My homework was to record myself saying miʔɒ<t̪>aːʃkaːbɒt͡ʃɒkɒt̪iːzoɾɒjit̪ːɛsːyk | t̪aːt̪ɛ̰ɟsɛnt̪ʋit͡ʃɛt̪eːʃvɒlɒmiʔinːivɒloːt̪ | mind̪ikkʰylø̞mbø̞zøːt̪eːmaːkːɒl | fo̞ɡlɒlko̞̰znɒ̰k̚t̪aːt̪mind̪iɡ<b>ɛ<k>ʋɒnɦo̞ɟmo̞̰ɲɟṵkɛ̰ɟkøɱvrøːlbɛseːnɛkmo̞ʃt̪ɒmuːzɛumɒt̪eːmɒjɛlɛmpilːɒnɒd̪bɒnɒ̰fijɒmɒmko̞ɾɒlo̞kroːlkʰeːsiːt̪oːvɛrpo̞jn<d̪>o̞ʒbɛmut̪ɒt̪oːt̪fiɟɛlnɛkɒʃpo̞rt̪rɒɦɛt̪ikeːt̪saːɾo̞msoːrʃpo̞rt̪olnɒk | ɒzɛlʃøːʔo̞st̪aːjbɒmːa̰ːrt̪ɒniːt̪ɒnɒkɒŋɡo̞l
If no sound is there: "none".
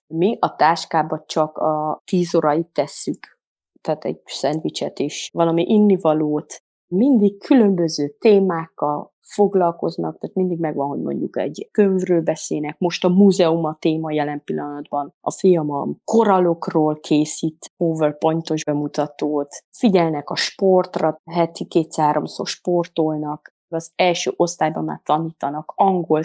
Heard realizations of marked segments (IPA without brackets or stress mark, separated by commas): t̪, m, ɡ, t̪